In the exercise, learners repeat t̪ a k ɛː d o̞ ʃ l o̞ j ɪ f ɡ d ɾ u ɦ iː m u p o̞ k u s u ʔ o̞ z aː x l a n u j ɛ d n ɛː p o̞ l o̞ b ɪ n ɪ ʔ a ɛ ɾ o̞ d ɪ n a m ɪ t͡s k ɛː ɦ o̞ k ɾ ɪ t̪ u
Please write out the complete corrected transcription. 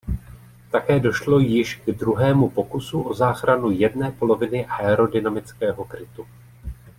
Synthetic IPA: t̪ a k ɛː d o̞ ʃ l o̞ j ɪ ʃ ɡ d ɾ u ɦ ɛː m u p o̞ k u s u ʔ o̞ z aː x ɾ a n u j ɛ d n ɛː p o̞ l o̞ v ɪ n ɪ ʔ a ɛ ɾ o̞ d ɪ n a m ɪ t͡s k ɛː ɦ o̞ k ɾ ɪ t̪ u